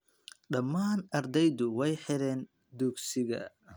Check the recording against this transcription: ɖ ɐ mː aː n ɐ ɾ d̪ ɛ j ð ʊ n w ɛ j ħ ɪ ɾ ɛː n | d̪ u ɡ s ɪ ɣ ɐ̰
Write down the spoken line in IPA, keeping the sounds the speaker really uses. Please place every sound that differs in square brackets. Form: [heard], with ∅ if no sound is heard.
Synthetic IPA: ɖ ɐ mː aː n ɐ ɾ d̪ ɛ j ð ʊ [∅] w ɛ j ħ ɪ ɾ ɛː n | d̪ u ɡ s ɪ ɣ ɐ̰